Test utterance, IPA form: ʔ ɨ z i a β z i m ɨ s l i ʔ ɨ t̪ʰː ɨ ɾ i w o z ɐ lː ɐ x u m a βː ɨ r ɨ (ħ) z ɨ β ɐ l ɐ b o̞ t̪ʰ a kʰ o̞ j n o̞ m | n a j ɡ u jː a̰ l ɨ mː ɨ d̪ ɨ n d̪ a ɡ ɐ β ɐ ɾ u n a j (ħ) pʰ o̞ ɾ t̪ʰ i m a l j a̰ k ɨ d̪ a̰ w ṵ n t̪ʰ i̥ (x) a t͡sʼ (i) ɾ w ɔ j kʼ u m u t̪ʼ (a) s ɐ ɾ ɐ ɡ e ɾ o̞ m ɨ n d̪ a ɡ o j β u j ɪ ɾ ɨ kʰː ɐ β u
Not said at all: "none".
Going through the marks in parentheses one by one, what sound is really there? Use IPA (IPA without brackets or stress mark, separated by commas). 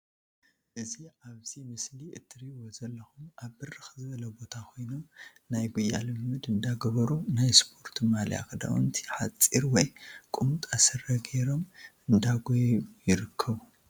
x, s, ħ, i, a